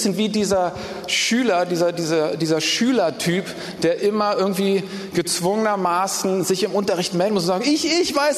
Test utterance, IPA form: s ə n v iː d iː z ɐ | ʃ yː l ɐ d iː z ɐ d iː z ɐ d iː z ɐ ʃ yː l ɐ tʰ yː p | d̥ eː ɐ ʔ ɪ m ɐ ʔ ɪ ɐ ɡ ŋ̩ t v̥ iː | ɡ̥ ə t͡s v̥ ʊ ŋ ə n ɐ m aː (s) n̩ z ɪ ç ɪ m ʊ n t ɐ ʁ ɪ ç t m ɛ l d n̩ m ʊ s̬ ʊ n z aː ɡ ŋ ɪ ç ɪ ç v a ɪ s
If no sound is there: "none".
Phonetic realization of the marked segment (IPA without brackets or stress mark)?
s